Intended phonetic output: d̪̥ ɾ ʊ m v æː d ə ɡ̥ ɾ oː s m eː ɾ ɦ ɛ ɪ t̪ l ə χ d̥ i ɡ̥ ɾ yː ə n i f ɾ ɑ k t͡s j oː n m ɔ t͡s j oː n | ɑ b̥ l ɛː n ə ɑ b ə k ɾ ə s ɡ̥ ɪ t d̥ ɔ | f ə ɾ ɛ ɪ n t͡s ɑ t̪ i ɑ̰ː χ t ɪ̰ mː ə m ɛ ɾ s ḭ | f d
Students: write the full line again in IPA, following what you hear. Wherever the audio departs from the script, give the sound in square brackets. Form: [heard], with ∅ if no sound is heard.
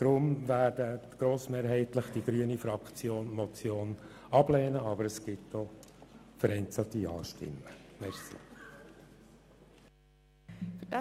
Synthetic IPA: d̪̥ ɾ ʊ m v æː d ə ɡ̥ ɾ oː s m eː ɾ ɦ ɛ ɪ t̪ l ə χ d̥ i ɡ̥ ɾ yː ə n i f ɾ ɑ k t͡s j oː n m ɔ t͡s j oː n | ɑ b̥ l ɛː n ə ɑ b ə [∅] ɾ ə s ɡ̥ ɪ t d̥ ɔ | f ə ɾ ɛ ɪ n t͡s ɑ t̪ i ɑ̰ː [ʃ] t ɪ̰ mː ə m ɛ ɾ s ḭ | f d